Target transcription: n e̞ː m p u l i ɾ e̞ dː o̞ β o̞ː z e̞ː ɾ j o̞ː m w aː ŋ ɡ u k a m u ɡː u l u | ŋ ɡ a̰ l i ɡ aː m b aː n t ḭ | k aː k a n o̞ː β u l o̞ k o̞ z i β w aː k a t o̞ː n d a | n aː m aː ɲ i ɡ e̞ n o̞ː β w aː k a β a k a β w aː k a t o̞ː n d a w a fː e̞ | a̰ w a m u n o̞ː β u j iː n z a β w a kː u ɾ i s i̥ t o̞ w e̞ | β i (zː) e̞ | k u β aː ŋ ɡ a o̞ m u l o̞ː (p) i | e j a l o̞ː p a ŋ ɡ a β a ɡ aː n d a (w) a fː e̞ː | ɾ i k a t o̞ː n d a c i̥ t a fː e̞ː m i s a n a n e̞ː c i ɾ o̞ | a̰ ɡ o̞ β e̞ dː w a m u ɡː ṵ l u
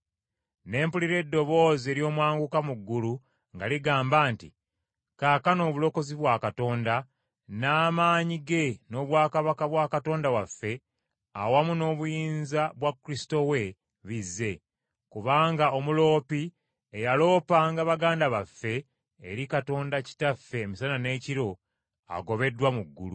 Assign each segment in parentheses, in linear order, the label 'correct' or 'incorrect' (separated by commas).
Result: correct, correct, incorrect